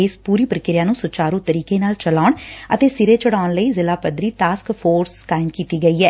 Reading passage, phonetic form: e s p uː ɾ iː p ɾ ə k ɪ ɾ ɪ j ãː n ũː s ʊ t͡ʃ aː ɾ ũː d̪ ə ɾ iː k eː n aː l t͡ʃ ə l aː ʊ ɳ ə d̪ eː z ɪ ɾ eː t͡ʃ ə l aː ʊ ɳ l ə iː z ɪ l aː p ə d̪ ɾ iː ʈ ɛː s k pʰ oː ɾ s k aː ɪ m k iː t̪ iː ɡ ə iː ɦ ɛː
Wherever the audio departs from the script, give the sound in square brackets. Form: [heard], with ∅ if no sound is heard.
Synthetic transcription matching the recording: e s p uː ɾ iː p ɾ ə k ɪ ɾ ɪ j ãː n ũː s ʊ t͡ʃ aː ɾ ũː [t̪] ə ɾ iː k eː n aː l t͡ʃ ə l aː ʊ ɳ ə [t̪] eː [s] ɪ ɾ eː t͡ʃ ə [ɽ] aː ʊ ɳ l ə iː z ɪ l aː p ə d̪ ɾ iː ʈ [aː] s k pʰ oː ɾ s k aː ɪ m k iː t̪ iː ɡ ə iː ɦ ɛː